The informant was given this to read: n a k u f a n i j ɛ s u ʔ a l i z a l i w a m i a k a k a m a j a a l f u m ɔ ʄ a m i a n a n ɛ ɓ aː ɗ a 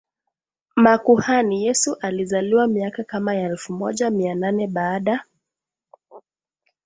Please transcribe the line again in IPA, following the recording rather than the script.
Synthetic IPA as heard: m a k u h a n i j ɛ s u ʔ a l i z a l i w a m i a k a k a m a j a ɛ l f u m ɔ ʄ a m i a n a n ɛ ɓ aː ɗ a